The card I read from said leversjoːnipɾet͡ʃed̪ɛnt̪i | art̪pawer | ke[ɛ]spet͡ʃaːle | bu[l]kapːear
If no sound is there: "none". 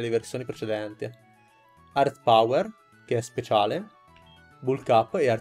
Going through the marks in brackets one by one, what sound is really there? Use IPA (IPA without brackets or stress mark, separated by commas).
ɛ, l